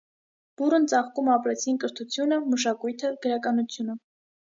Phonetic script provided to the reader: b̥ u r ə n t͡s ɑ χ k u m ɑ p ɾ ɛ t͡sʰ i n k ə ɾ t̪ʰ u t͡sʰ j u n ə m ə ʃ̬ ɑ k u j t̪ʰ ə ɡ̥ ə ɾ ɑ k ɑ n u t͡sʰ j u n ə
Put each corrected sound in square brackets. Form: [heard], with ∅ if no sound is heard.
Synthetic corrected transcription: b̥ u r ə n t͡s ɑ χ k u m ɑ p ɾ ɛ t͡sʰ i n k ə ɾ t̪ʰ u t͡sʰ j u n ə m ə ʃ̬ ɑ k u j t̪ʰ ə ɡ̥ ə ɾ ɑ k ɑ n u t͡sʰ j u n ə